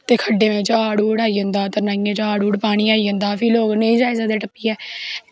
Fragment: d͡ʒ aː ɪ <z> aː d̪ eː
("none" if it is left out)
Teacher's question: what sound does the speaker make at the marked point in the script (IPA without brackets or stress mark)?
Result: z